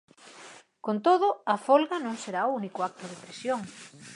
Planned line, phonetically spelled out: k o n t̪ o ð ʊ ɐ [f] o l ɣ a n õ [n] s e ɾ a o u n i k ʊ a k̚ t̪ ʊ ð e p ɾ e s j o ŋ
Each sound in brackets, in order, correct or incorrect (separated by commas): correct, incorrect